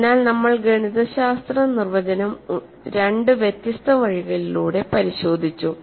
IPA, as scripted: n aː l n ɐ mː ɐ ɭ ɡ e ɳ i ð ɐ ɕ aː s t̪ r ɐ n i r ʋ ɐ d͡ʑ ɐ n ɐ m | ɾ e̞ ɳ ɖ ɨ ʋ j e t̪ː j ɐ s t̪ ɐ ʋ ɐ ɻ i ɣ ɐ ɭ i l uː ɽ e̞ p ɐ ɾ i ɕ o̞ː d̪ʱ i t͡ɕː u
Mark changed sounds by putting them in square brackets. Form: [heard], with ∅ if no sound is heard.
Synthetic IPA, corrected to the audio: n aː l n ɐ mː ɐ ɭ ɡ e ɳ i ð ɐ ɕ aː s t̪ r ɐ n i r ʋ ɐ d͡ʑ ɐ n ɐ m | ɾ e̞ ɳ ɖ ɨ ʋ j e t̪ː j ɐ s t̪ ɐ ʋ ɐ ɻ i ɣ ɐ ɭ i l uː ɽ e̞ p ɐ ɾ i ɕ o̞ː d̪ʱ i t͡ɕː u